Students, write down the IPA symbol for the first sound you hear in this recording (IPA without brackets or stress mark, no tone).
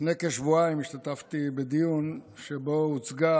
n